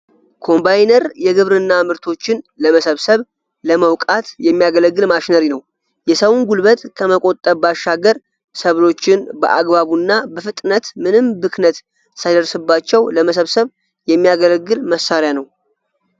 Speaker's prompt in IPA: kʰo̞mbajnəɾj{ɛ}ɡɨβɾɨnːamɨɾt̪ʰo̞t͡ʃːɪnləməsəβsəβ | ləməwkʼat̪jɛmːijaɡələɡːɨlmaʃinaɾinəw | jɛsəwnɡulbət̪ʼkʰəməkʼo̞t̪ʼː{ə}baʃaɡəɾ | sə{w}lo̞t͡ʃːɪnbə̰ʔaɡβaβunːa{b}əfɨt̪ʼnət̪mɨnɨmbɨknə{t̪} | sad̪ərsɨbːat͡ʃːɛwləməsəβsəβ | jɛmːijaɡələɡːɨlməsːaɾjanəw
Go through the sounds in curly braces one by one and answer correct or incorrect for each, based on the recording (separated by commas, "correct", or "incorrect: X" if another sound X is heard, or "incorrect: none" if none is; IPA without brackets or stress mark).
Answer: correct, correct, incorrect: β, correct, correct